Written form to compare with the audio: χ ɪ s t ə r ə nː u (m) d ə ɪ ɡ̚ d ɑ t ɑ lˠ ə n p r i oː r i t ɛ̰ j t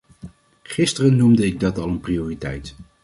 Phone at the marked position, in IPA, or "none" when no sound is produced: m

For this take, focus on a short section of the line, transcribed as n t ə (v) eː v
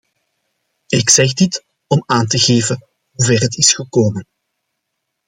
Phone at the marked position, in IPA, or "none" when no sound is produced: ɣ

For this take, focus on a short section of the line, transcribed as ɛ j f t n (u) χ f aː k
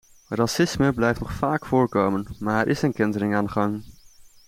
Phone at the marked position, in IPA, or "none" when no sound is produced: ɔ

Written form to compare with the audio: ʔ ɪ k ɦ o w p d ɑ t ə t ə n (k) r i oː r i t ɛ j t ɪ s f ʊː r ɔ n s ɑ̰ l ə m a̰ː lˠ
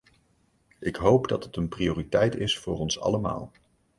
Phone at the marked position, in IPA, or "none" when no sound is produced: p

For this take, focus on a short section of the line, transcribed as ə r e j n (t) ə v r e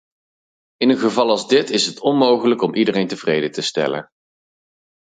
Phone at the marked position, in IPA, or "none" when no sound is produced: t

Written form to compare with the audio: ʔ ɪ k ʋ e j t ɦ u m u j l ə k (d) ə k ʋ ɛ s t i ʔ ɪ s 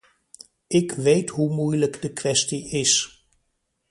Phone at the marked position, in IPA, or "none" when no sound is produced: d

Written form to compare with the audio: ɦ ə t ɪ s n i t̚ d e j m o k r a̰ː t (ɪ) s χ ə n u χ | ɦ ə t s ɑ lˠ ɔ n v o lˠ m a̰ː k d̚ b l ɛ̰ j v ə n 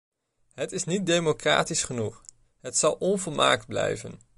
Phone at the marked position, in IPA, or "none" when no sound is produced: i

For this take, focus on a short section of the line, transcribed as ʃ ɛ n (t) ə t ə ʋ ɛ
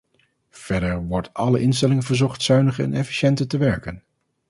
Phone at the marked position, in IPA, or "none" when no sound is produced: t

